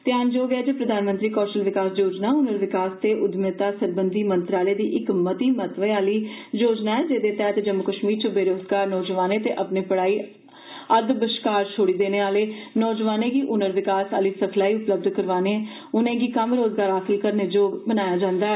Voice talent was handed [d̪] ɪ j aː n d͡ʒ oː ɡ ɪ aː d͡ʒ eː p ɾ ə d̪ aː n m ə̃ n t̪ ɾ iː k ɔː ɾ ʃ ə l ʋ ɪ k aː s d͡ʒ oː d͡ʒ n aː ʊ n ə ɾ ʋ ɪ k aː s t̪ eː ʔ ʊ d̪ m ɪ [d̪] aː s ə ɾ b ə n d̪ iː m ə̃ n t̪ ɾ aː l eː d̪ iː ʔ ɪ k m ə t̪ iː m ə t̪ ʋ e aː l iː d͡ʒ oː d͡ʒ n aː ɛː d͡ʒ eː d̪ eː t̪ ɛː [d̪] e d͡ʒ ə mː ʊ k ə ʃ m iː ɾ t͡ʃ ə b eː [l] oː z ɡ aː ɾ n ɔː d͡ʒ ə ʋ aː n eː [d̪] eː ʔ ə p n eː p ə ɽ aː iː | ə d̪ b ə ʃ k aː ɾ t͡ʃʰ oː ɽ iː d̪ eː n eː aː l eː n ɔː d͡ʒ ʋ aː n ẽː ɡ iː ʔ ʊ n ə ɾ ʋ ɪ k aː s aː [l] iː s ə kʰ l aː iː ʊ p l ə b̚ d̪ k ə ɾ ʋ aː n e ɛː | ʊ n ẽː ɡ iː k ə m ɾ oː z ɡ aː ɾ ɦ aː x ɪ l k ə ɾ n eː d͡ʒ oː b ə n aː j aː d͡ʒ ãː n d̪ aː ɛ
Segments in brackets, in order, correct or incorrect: incorrect: t̪, incorrect: t̪, incorrect: t̪, incorrect: ɾ, incorrect: t̪, correct

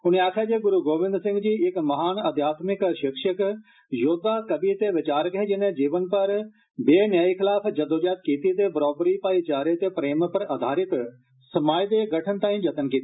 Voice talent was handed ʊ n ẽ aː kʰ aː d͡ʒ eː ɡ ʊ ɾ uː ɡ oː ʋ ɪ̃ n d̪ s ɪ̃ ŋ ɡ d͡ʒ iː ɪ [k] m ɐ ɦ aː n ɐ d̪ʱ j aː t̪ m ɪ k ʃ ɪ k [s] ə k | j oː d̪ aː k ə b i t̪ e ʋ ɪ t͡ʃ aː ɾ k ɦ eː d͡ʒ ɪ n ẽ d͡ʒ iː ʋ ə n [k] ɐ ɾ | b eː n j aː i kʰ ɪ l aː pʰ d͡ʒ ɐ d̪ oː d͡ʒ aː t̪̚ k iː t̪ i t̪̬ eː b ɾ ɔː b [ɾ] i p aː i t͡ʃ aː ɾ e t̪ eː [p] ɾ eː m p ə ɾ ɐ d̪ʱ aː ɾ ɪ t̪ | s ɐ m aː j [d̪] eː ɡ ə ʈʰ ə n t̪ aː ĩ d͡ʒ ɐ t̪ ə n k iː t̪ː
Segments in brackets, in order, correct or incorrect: correct, incorrect: ʃ, incorrect: p, correct, correct, correct

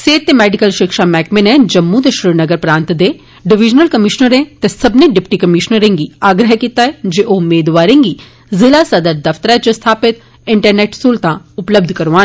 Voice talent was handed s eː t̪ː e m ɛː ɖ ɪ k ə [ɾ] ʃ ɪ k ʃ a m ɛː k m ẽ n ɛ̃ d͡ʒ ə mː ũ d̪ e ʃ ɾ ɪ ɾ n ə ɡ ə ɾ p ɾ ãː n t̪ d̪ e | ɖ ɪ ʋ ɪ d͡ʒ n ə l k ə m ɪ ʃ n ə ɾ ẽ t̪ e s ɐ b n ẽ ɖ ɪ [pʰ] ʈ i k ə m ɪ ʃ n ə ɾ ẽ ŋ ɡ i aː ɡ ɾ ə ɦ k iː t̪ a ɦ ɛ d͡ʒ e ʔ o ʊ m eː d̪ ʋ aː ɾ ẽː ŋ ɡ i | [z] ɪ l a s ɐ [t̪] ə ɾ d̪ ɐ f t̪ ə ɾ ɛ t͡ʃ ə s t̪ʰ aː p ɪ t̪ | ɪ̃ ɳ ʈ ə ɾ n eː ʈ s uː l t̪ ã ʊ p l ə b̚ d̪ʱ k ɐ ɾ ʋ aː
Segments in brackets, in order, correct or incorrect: incorrect: l, incorrect: p, correct, incorrect: d̪

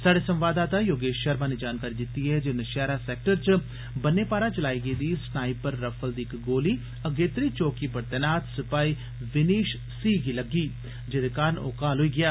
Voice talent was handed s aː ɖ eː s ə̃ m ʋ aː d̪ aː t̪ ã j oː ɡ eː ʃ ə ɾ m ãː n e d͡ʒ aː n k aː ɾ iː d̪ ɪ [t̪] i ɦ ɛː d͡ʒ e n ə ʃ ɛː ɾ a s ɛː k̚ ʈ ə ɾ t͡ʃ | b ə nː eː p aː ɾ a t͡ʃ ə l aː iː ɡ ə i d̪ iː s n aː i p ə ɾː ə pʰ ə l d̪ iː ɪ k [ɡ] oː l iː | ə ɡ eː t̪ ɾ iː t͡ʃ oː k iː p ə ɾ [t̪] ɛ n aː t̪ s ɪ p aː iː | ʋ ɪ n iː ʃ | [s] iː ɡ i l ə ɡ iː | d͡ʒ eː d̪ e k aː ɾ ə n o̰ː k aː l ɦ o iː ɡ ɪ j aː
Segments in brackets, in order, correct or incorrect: correct, correct, correct, correct

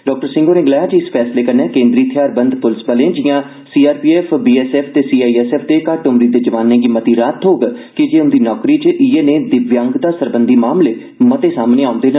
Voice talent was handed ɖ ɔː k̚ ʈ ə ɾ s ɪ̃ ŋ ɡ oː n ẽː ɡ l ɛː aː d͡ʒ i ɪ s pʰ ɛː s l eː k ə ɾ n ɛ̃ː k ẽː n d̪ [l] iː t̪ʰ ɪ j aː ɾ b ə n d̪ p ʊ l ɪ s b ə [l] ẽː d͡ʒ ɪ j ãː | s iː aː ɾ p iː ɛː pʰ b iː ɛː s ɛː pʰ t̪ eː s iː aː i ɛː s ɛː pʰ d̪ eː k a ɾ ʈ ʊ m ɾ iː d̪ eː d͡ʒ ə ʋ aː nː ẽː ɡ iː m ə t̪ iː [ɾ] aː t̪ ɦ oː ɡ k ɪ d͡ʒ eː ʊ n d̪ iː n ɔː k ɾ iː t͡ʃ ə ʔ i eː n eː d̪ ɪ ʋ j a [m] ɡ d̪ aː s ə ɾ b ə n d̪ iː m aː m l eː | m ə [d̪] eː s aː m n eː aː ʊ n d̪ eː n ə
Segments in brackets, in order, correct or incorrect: incorrect: ɾ, correct, correct, incorrect: ŋ, incorrect: t̪

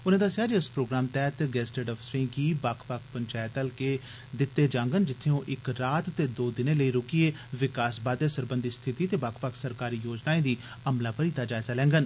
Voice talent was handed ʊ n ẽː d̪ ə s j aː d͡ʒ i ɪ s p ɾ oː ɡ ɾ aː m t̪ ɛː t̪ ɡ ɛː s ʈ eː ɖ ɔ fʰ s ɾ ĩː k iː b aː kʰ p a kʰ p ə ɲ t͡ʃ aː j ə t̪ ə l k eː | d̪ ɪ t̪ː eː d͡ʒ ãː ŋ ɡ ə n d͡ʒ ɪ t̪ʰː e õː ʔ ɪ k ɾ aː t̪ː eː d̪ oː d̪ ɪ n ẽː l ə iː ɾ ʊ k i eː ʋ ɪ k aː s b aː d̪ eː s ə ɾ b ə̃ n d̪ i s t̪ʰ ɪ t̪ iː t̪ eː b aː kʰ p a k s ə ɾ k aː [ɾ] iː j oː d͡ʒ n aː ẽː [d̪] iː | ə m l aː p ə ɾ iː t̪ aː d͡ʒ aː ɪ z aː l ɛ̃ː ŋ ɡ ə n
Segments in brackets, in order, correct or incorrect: correct, correct

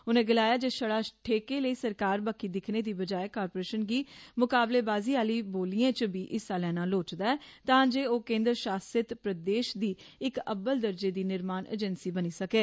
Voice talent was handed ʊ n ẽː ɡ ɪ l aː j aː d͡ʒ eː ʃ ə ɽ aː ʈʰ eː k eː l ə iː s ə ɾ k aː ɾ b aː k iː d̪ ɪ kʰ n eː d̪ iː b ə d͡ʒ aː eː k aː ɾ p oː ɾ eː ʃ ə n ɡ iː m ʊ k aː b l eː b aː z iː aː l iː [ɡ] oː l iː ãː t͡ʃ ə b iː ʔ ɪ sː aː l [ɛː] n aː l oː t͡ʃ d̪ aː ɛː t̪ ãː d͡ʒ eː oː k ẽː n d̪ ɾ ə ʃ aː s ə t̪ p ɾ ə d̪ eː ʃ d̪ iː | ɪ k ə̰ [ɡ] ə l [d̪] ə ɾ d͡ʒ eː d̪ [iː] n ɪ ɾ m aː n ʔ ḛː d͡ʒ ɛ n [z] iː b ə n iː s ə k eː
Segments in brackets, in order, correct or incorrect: incorrect: b, correct, incorrect: b, correct, correct, incorrect: s

